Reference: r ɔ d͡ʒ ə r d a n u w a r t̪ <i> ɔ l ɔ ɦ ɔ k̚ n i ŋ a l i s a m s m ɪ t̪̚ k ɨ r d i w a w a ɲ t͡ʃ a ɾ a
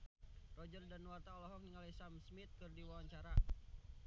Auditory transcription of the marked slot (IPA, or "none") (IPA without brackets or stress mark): a